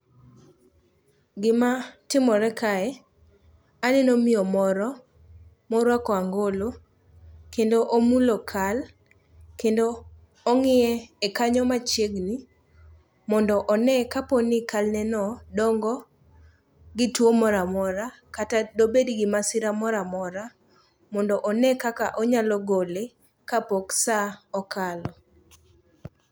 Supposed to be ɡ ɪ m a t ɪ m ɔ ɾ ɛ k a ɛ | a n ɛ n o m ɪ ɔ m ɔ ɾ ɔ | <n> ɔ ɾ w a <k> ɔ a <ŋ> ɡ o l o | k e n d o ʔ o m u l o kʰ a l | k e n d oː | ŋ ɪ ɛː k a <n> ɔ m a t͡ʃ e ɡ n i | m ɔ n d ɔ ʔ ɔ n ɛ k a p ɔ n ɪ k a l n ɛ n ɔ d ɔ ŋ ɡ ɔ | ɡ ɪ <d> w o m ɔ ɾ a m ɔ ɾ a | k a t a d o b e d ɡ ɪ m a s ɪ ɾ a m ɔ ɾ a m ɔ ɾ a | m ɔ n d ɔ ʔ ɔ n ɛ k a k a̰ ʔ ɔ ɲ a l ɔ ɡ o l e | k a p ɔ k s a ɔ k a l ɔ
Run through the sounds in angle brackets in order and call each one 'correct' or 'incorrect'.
incorrect: m, correct, correct, incorrect: ɲ, incorrect: t

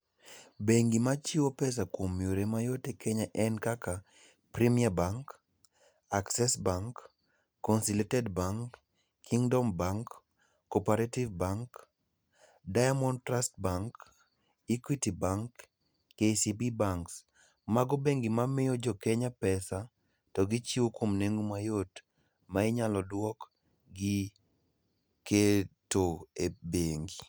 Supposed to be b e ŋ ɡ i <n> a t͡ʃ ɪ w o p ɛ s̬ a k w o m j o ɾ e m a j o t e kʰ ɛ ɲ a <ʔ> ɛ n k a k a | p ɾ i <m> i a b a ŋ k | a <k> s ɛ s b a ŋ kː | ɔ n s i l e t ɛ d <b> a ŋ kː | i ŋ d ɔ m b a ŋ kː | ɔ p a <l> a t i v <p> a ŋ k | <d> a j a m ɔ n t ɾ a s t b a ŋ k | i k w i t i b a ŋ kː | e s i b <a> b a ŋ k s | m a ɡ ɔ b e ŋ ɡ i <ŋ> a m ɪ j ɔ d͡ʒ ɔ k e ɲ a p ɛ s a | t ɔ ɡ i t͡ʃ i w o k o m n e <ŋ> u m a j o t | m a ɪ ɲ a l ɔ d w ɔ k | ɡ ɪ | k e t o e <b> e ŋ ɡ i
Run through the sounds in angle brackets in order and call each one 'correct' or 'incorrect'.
incorrect: m, correct, correct, correct, correct, incorrect: ɾ, incorrect: b, correct, incorrect: i, incorrect: m, correct, correct

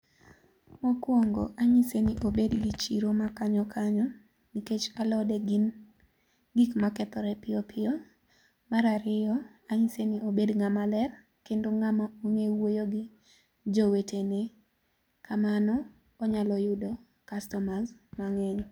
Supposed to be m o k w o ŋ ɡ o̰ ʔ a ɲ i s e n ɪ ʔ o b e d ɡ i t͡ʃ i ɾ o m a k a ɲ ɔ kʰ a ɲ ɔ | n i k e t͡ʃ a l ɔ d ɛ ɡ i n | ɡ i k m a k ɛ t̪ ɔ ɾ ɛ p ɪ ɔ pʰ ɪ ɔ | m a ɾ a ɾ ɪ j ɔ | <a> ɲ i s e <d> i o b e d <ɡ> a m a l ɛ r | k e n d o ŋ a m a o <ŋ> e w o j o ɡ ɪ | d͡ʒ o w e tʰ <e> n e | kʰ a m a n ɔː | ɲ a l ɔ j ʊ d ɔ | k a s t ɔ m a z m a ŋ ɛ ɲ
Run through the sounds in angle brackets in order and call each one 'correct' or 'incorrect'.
correct, incorrect: n, incorrect: ŋ, correct, correct

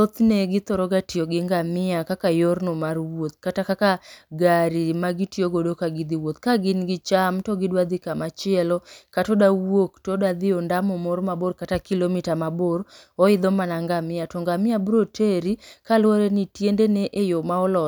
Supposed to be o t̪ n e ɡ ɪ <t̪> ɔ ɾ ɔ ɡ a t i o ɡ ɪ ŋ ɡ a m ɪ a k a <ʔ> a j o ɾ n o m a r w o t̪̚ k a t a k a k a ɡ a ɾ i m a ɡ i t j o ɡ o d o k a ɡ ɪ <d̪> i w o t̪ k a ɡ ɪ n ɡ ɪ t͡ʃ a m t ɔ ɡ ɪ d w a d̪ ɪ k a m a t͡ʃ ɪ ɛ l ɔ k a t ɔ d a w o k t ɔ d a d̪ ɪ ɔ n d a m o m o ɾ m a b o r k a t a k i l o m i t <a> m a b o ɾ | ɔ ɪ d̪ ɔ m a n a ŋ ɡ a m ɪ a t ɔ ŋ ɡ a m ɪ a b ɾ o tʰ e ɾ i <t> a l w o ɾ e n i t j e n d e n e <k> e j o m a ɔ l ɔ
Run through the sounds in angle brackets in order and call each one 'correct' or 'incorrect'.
correct, incorrect: k, correct, correct, incorrect: k, incorrect: ʔ

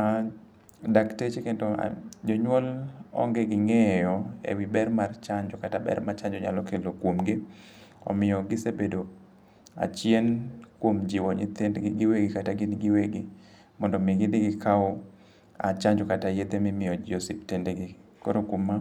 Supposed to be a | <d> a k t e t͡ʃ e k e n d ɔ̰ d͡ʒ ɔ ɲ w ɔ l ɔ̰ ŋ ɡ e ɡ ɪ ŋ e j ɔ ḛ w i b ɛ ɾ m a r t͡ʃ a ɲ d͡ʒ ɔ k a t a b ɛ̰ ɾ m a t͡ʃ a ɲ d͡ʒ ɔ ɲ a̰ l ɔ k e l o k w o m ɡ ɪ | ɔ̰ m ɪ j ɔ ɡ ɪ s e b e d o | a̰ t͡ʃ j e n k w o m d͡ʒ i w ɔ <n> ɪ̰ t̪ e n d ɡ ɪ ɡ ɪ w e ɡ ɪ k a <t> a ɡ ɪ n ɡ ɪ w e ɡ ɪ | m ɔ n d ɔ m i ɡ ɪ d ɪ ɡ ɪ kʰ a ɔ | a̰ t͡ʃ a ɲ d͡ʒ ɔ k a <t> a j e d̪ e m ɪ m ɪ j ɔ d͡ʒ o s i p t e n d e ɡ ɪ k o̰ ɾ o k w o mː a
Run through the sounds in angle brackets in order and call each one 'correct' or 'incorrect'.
correct, incorrect: ɲ, correct, correct

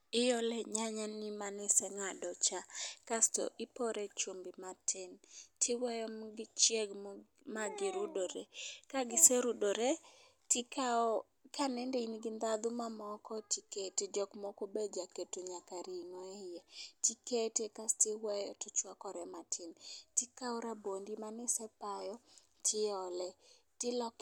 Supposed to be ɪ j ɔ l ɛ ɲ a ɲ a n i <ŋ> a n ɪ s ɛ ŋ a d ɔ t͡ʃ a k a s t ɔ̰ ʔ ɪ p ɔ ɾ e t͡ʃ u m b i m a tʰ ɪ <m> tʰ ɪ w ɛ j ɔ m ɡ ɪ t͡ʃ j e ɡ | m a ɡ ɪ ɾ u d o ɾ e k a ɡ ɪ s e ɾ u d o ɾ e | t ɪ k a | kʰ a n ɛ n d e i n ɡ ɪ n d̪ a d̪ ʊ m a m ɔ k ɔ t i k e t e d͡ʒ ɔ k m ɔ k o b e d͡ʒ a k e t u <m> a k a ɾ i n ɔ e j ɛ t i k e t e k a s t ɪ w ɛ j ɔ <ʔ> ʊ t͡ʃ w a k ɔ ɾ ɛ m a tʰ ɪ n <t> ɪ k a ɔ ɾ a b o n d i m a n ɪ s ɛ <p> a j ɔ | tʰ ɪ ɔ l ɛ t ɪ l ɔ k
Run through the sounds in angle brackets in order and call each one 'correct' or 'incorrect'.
incorrect: m, incorrect: n, incorrect: ɲ, incorrect: t, correct, correct

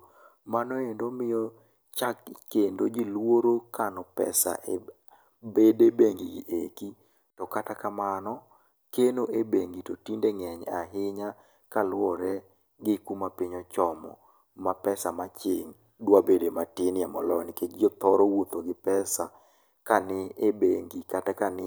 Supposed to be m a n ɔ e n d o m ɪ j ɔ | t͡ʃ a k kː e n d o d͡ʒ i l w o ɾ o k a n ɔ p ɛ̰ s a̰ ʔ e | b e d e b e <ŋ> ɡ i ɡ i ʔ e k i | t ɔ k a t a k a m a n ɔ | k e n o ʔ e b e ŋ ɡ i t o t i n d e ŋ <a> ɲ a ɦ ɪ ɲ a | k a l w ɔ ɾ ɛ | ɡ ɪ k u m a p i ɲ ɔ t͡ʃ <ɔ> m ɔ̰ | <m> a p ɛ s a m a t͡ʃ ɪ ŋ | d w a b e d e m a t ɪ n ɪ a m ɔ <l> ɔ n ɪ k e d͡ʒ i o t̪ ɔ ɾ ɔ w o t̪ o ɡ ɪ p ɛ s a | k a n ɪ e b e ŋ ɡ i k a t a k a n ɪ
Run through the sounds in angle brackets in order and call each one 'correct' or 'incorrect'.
correct, incorrect: ɛ, correct, correct, correct

